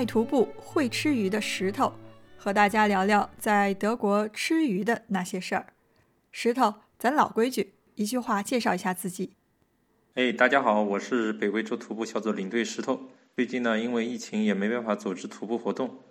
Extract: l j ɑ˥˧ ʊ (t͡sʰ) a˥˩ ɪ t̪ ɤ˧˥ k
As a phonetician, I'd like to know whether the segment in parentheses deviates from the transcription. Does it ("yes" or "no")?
yes